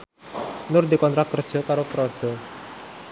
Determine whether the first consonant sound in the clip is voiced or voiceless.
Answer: voiced